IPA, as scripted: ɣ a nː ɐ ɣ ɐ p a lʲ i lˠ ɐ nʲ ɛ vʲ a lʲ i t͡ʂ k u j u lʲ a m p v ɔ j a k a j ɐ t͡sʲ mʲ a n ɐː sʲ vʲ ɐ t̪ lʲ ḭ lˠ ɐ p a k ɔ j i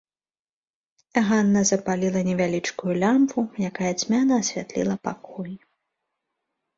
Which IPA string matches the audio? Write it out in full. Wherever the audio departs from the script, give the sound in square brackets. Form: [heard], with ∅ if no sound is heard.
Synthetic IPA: ɣ a nː ɐ [z] ɐ p a lʲ i lˠ ɐ nʲ ɛ vʲ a lʲ i t͡ʂ k u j u lʲ a m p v [u] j a k a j ɐ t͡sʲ mʲ a n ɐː sʲ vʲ [a] t̪ lʲ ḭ lˠ ɐ p a k ɔ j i